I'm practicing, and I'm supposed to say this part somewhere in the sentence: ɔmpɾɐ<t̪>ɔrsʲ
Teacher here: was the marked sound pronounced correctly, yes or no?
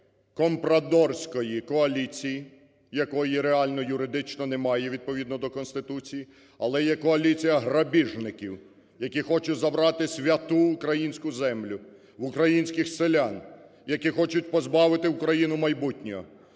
no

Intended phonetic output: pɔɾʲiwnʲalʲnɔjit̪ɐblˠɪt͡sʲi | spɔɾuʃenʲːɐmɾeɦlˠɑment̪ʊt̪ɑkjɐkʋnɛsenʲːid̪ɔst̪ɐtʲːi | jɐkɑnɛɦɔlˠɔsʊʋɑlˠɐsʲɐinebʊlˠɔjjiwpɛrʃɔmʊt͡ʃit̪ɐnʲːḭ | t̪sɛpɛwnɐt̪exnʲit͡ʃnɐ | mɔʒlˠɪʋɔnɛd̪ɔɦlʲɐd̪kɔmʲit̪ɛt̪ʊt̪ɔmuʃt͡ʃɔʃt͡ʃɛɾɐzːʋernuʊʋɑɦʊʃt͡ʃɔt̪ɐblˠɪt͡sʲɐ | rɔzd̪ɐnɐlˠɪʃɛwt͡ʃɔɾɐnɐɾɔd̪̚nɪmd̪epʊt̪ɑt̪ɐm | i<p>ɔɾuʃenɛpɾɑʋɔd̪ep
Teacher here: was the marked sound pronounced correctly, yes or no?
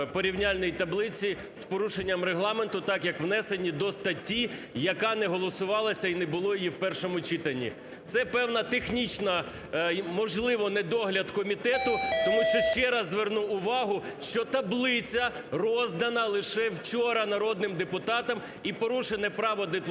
yes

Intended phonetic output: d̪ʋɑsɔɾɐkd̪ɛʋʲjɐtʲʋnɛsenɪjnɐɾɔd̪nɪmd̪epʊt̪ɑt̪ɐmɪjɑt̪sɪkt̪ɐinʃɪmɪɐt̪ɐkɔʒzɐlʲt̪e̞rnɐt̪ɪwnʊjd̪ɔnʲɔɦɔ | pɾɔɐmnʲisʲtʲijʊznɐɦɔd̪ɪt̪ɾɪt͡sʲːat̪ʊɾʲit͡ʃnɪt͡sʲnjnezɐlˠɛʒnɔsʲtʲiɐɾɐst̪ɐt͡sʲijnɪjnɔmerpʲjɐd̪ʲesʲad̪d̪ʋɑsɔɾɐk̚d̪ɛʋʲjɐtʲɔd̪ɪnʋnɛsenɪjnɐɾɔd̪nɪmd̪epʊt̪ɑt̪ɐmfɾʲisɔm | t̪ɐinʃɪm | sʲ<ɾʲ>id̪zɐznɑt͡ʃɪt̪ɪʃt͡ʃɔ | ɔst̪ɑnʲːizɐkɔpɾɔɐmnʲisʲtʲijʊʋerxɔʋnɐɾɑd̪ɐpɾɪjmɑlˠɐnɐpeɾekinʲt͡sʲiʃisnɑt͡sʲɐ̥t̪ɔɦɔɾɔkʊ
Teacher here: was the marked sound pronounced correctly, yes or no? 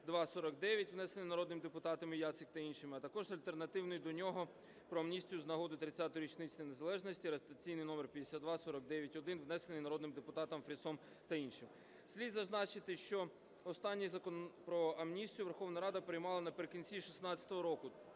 no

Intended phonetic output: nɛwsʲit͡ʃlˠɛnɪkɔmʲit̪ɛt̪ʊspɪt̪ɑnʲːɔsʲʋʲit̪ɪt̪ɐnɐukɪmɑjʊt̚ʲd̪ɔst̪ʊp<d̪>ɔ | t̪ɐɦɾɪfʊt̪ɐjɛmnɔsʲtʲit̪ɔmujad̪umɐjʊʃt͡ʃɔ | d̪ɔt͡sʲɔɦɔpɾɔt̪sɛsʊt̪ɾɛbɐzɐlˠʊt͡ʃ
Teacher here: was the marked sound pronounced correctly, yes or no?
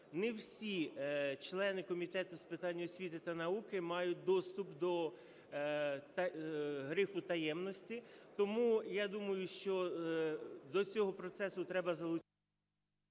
yes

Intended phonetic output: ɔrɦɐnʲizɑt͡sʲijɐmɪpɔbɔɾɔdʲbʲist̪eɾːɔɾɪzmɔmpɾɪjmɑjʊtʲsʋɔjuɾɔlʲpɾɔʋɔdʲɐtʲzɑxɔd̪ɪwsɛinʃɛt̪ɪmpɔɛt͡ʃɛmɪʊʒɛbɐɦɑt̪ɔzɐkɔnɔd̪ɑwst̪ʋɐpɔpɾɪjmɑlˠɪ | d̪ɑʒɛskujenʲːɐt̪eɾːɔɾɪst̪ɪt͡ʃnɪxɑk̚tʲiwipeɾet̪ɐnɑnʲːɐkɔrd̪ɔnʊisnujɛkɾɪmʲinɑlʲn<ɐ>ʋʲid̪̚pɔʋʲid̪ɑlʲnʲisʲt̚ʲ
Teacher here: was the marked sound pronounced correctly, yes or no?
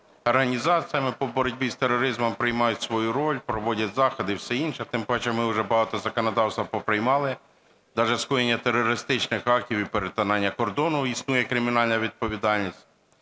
yes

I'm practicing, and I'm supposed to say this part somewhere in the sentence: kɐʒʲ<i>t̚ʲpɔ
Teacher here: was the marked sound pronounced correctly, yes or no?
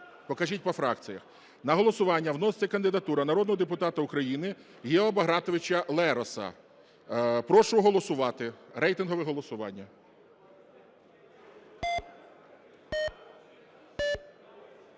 yes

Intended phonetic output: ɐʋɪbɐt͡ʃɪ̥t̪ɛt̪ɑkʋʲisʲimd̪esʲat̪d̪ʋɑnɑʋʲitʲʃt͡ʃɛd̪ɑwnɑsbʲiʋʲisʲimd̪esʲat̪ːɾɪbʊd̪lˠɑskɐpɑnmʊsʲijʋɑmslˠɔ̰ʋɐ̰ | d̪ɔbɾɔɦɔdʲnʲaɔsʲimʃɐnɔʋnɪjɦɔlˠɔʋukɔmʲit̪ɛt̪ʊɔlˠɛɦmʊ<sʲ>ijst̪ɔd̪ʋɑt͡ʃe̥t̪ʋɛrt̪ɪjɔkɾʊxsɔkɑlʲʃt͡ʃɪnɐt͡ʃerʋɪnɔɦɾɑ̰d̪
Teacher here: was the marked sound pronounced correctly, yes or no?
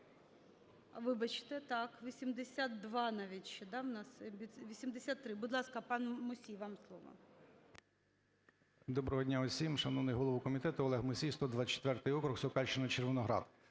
yes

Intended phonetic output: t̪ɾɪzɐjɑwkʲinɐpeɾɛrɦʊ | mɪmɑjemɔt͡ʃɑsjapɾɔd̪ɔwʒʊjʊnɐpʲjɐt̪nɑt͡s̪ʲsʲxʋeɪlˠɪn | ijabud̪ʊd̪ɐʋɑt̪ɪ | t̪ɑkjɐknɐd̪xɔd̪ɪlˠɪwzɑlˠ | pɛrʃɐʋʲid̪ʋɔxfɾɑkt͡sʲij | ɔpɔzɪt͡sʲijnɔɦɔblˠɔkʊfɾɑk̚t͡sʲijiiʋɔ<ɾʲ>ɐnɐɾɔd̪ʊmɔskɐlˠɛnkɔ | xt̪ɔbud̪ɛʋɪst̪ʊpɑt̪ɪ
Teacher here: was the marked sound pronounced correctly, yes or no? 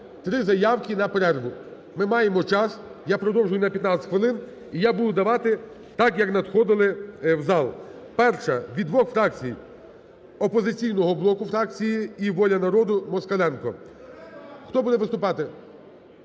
no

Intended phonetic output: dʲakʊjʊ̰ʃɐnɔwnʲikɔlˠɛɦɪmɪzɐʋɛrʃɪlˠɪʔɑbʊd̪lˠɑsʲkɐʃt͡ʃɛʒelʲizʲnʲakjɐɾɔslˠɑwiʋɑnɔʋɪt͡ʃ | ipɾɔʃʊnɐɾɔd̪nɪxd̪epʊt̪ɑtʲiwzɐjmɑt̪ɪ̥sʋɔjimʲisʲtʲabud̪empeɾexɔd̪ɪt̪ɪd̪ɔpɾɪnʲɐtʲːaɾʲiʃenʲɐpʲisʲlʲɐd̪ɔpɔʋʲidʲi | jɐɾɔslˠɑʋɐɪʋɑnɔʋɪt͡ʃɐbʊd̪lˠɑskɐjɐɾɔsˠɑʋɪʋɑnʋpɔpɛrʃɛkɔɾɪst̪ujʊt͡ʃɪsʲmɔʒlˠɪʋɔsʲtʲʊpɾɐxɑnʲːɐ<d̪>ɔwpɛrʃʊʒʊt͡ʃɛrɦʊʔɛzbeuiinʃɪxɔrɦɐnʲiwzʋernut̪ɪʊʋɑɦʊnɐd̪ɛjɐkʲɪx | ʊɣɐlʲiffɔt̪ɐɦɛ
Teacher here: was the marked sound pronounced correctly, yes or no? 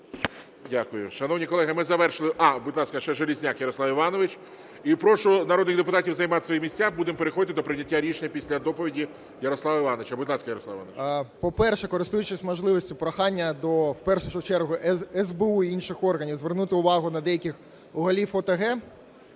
yes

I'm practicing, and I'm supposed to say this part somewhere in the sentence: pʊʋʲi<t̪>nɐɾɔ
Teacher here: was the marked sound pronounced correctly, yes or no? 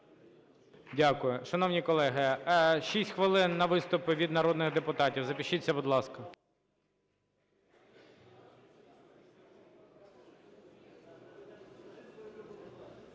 no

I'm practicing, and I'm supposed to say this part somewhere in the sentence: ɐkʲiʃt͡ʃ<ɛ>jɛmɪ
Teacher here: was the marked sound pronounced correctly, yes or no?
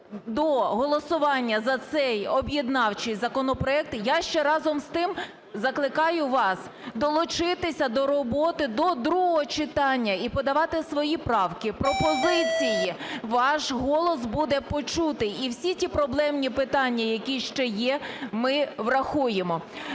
yes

